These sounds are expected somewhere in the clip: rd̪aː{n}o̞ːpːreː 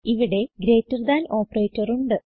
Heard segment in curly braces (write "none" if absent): n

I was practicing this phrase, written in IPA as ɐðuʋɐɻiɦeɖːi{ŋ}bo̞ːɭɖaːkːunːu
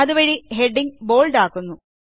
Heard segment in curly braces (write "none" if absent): ŋ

